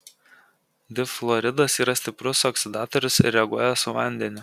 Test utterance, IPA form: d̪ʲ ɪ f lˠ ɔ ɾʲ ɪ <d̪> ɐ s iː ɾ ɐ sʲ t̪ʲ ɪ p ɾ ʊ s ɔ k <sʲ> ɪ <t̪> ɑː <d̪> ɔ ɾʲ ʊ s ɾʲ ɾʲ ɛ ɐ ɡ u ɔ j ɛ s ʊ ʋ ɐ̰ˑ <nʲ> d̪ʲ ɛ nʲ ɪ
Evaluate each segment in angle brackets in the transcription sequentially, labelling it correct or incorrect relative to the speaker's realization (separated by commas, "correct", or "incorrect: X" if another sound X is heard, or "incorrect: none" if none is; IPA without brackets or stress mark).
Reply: correct, correct, incorrect: d̪, incorrect: t̪, correct